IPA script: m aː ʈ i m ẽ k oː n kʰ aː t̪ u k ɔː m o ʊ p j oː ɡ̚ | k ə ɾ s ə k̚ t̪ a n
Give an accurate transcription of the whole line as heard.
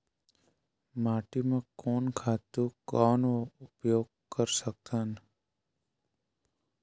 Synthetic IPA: m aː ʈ i m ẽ k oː n kʰ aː t̪ u k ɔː n o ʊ p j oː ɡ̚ | k ə ɾ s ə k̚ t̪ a n

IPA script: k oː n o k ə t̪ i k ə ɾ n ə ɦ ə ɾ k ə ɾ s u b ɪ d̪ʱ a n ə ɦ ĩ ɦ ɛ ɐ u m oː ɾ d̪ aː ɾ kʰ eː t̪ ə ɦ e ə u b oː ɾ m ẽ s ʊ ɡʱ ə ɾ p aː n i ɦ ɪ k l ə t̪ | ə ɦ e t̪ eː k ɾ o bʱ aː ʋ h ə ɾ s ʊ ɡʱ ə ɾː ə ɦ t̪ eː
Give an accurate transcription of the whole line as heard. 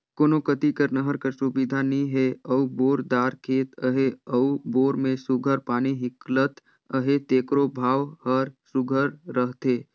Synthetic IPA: k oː n o k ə t̪ i k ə ɾ n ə ɦ ə ɾ k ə ɾ s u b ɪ d̪ʱ a n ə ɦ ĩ ɦ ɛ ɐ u b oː ɾ d̪ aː ɾ kʰ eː t̪ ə ɦ e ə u b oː ɾ m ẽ s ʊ ɡʱ ə ɾ p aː n i ɦ ɪ k l ə t̪ | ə ɦ e t̪ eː k ɾ o bʱ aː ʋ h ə ɾ s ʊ ɡʱ ə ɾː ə ɦ t̪ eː

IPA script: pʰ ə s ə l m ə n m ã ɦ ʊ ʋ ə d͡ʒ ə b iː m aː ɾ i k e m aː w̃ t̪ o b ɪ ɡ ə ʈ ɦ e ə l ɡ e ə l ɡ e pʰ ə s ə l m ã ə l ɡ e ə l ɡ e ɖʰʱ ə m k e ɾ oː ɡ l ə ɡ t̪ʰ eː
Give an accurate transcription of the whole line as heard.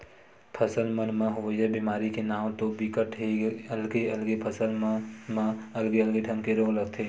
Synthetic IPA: pʰ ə s ə l m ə n m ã ɦ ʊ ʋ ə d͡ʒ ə b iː m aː ɾ i k e n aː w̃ t̪ o b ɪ k ə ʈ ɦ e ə l ɡ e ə l ɡ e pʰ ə s ə l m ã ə l ɡ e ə l ɡ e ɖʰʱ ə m k e ɾ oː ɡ l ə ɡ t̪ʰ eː

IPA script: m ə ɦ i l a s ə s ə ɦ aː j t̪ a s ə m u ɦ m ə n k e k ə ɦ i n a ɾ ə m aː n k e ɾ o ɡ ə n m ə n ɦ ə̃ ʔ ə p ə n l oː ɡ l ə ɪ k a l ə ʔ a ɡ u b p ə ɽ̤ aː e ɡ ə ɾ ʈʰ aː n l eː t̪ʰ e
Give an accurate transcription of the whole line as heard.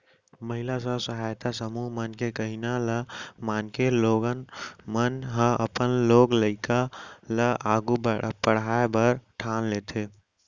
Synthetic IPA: m ə ɦ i l a s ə s ə ɦ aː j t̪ a s ə m u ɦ m ə n k e k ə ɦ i n a l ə m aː n k e l o ɡ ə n m ə n ɦ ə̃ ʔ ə p ə n l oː ɡ l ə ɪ k a l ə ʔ a ɡ u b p ə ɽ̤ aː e b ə ɾ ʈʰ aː n l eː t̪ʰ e

